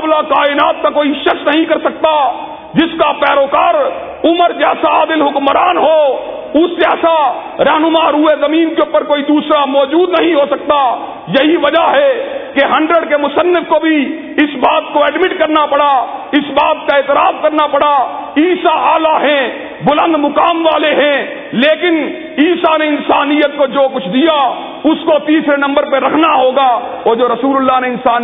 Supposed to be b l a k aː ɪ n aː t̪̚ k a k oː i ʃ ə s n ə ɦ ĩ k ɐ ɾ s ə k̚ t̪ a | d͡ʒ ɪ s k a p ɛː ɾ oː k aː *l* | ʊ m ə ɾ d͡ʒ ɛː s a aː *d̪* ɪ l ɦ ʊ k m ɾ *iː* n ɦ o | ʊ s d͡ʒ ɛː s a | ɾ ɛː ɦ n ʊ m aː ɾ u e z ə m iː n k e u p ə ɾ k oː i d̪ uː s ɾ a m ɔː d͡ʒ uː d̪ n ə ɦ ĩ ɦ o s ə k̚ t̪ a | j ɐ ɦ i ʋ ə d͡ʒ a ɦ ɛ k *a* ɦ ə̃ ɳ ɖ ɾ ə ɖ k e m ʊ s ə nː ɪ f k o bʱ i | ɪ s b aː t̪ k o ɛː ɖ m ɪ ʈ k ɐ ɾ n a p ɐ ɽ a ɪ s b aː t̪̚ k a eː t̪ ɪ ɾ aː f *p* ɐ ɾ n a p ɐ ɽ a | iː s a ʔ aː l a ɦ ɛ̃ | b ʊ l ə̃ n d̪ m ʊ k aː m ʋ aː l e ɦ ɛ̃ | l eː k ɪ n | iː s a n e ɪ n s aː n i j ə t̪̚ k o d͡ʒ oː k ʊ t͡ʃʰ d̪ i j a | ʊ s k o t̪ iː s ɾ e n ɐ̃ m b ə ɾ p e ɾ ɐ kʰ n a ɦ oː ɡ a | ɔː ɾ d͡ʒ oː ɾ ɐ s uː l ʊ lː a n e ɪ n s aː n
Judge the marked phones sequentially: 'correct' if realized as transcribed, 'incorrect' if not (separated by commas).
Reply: incorrect, correct, incorrect, incorrect, incorrect